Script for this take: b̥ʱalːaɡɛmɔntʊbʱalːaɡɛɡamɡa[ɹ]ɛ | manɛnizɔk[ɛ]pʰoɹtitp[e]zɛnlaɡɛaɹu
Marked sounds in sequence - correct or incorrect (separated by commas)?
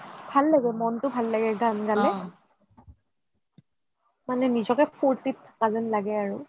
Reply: incorrect, correct, incorrect